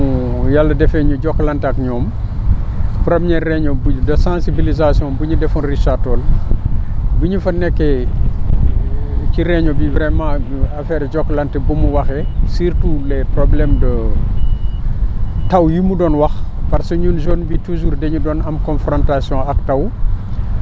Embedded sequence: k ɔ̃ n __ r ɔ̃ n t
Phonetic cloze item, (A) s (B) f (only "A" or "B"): B